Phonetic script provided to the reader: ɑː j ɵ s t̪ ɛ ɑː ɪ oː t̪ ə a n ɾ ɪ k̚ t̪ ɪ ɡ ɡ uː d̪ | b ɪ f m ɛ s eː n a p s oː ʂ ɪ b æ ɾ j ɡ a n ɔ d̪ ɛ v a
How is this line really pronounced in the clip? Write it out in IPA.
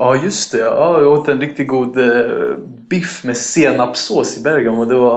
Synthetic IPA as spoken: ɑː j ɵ s t̪ ɛ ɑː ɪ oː t̪ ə ɛ n ɾ ɪ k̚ t̪ ɪ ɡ ɡ uː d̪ | b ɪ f m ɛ s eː n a p s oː s ɪ b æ ɾ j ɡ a n ɔ d̪ ɛ v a